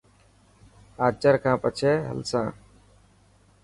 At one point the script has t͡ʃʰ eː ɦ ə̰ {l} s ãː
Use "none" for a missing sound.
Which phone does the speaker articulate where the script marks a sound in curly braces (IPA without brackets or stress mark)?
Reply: l